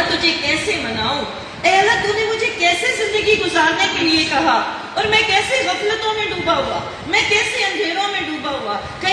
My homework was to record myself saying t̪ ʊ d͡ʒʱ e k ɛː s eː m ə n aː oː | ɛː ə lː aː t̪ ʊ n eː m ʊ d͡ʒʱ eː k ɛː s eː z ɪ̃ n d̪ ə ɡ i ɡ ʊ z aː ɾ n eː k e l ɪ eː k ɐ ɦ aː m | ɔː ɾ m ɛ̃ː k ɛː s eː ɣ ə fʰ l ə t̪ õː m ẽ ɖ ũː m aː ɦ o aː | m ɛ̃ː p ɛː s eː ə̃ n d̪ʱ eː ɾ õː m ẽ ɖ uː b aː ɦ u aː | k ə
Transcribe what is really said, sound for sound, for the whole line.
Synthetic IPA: t̪ ʊ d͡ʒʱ e k ɛː s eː m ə n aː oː | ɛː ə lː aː t̪ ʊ n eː m ʊ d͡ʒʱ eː k ɛː s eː z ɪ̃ n d̪ ə ɡ i ɡ ʊ z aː ɾ n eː k e l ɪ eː k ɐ ɦ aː | ɔː ɾ m ɛ̃ː k ɛː s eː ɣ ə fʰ l ə t̪ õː m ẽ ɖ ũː b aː ɦ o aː | m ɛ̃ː k ɛː s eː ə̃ n d̪ʱ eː ɾ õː m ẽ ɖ uː b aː ɦ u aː | k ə